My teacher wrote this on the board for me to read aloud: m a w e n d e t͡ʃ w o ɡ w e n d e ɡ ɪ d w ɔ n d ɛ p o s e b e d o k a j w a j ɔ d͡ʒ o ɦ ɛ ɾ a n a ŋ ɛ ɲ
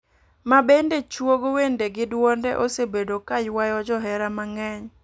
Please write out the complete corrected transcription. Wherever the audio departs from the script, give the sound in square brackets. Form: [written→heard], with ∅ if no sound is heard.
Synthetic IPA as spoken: m a [w→b] e n d e t͡ʃ w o ɡ w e n d e ɡ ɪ d w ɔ n d ɛ [p→ʔ] o s e b e d o k a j w a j ɔ d͡ʒ [o→ɔ] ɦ ɛ ɾ a [n→m] a ŋ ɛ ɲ